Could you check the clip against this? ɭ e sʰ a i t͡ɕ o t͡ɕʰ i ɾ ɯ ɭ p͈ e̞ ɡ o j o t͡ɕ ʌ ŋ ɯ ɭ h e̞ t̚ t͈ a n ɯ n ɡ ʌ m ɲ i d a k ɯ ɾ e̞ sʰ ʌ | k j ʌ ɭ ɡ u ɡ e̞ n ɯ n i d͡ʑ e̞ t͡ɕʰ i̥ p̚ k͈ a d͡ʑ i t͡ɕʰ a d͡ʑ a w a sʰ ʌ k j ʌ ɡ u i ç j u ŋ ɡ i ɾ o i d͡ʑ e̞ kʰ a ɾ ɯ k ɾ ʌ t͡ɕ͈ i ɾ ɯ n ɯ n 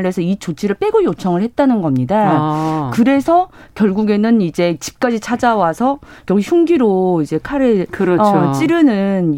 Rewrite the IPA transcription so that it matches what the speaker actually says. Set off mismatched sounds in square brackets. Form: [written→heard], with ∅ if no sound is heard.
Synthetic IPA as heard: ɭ e sʰ [a→ʌ] i t͡ɕ o t͡ɕʰ i ɾ ɯ ɭ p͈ e̞ ɡ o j o [t͡ɕ→t͡ɕʰ] ʌ ŋ ɯ ɭ h e̞ t̚ t͈ a n ɯ n ɡ ʌ m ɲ i d a k ɯ ɾ e̞ sʰ ʌ | k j ʌ ɭ ɡ u ɡ e̞ n ɯ n i d͡ʑ e̞ [t͡ɕʰ→t͡ɕ] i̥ p̚ k͈ a d͡ʑ i t͡ɕʰ a d͡ʑ a w a sʰ ʌ k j ʌ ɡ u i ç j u ŋ ɡ i ɾ o i d͡ʑ e̞ kʰ a ɾ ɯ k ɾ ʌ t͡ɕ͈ i ɾ ɯ n ɯ n